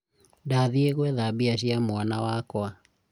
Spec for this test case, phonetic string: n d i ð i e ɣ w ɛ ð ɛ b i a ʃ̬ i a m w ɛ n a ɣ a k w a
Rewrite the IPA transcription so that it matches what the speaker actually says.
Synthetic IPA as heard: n d a ð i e ɣ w ɛ ð a b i a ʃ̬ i a m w a n a w a k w a